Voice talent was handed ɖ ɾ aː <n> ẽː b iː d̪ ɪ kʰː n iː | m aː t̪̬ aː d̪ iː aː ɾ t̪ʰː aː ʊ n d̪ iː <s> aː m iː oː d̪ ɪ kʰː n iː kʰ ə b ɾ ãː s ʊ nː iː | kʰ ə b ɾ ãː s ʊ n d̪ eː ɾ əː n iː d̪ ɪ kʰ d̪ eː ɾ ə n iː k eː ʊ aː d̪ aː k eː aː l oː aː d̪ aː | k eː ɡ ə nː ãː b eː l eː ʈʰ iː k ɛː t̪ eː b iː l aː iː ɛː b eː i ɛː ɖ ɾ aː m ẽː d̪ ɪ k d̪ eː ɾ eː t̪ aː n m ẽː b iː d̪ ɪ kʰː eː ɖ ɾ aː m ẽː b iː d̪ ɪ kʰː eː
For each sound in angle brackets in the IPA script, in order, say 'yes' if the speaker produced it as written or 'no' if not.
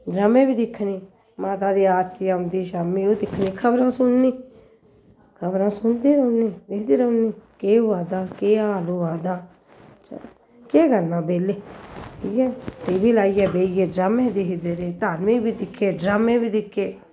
no, no

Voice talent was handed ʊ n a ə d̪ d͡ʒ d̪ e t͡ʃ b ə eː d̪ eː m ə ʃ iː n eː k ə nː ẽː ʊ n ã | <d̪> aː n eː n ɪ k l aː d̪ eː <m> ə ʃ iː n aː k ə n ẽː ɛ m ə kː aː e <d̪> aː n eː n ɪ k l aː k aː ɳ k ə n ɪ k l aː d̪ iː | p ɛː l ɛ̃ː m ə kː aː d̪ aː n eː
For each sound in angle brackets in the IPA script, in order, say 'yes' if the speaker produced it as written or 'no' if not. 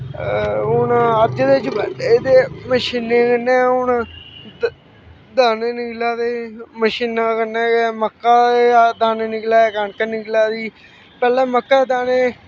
yes, yes, yes

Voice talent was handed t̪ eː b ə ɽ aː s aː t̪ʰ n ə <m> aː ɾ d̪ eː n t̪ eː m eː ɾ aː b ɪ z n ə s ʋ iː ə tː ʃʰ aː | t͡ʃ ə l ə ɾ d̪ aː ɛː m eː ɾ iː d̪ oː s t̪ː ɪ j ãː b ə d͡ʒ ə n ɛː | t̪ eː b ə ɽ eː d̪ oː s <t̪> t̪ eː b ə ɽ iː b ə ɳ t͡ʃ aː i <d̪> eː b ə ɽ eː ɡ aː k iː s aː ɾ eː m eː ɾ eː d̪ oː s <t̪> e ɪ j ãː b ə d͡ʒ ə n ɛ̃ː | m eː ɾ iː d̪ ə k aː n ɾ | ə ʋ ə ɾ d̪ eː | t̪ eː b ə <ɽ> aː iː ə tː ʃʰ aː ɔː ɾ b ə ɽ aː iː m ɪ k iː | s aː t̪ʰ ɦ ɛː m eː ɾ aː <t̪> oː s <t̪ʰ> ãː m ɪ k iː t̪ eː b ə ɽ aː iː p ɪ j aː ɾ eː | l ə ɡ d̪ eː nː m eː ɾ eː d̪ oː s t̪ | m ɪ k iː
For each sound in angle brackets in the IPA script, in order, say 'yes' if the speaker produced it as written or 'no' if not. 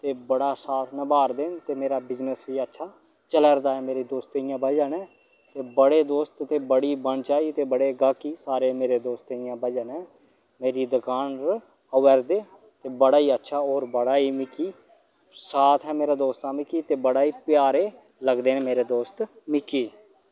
no, yes, no, yes, yes, no, no

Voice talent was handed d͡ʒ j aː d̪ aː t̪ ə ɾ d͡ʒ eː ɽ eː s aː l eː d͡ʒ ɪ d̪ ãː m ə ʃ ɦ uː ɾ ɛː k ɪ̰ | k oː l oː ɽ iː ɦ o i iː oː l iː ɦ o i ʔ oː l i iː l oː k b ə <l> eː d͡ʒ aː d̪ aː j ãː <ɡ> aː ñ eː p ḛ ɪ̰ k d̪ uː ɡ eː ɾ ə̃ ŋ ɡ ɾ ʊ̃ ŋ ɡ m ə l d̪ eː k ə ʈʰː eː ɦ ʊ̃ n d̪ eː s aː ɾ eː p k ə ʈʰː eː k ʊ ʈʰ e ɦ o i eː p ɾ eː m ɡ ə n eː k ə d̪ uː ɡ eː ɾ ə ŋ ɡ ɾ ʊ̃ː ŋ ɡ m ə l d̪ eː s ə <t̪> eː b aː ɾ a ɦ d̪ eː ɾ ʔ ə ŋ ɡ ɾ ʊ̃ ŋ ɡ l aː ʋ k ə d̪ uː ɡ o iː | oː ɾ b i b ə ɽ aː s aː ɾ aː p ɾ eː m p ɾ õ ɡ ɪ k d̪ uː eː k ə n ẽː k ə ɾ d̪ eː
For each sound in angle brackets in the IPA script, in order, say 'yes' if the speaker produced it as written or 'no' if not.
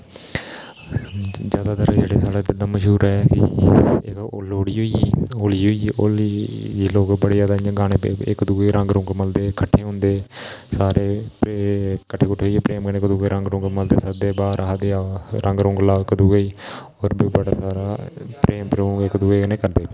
no, yes, no

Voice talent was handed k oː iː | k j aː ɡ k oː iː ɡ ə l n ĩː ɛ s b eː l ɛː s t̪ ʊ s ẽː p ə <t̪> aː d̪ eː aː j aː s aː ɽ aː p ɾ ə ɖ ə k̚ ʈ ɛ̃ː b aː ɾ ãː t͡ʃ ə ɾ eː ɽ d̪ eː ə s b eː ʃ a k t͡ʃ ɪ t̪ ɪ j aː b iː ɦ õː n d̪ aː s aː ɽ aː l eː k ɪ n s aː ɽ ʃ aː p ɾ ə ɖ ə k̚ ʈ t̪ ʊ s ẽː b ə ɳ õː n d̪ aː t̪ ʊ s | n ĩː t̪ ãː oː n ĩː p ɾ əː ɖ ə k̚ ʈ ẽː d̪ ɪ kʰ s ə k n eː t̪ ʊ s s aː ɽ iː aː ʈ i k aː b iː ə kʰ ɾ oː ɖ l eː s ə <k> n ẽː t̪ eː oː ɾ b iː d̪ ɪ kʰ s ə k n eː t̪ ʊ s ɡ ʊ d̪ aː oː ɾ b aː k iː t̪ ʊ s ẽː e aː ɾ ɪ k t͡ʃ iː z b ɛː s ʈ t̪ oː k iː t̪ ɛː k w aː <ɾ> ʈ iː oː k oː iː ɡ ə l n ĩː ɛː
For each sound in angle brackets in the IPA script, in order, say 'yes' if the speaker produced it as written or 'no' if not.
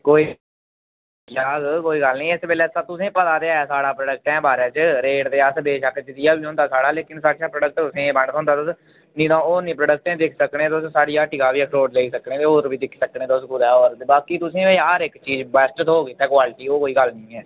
yes, yes, no

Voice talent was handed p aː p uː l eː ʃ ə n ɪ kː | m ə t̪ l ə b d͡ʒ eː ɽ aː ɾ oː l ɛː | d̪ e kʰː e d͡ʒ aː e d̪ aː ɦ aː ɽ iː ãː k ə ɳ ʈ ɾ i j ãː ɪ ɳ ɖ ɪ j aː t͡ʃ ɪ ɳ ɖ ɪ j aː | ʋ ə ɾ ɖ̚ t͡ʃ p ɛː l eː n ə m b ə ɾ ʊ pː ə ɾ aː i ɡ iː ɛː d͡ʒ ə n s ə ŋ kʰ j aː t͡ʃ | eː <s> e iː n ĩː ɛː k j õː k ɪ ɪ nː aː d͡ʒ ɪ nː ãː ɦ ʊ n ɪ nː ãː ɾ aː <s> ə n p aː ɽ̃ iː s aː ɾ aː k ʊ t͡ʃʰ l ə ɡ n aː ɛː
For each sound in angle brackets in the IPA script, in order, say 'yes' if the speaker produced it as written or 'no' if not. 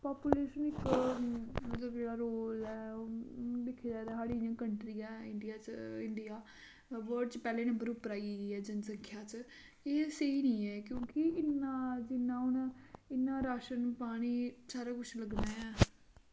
yes, no

